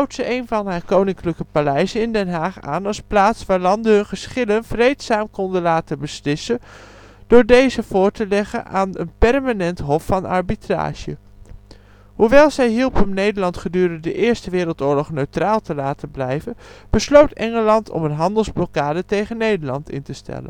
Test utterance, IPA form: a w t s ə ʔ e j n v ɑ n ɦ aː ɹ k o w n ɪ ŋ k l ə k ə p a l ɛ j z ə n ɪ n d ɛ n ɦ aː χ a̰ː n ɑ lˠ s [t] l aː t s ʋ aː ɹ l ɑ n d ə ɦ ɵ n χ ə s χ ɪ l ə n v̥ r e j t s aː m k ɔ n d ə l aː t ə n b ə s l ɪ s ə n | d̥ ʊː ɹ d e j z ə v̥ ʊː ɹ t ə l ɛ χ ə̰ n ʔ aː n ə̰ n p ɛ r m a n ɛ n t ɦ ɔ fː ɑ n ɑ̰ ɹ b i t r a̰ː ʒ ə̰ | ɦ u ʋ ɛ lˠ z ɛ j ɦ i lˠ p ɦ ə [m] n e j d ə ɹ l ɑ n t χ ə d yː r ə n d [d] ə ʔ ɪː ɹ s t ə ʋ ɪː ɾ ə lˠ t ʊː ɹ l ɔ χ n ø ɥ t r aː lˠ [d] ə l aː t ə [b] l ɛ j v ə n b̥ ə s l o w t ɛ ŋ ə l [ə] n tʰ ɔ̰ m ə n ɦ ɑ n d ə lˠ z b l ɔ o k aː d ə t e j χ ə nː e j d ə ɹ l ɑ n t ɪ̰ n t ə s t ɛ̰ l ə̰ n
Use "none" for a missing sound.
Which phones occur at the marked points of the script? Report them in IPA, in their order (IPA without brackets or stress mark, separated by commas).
p, m, d, t, b, ɑ